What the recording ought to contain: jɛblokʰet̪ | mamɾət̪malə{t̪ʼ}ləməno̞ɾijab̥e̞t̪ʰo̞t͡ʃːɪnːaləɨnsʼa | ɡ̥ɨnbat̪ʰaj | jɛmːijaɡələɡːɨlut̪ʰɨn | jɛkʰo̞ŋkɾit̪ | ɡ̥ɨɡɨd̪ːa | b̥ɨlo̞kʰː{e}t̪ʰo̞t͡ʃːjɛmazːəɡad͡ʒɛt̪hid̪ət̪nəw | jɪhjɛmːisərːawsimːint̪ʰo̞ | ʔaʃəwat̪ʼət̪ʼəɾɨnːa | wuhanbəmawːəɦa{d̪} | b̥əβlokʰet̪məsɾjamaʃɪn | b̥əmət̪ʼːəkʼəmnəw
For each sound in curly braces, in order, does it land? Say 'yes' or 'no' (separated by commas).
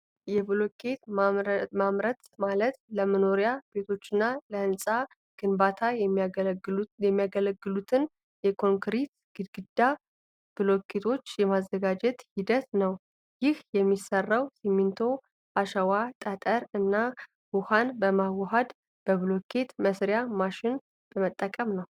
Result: no, yes, yes